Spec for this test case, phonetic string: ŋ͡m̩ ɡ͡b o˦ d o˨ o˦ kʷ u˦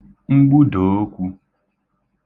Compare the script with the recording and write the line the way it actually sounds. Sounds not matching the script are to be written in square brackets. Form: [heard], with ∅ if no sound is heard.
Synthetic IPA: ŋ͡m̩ ɡ͡b [u˦] d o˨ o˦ kʷ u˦